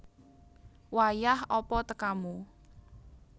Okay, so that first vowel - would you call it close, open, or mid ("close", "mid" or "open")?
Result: open